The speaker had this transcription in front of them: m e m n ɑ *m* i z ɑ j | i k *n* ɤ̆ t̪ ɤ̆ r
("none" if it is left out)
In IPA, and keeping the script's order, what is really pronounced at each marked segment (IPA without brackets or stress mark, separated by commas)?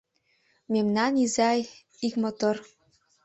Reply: n, m